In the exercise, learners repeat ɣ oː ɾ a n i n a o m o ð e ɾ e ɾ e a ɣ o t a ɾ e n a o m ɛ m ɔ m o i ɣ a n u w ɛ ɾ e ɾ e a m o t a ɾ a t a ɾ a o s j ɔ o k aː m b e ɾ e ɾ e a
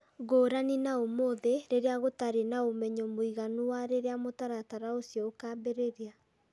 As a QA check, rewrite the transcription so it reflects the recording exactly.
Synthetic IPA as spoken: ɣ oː ɾ a n i n a o m o ð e ɾ e ɾ e a ɣ o t a ɾ e n a o m ɛ ɲ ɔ m o i ɣ a n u w a ɾ e ɾ e a m o t a ɾ a t a ɾ a o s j ɔ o k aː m b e ɾ e ɾ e a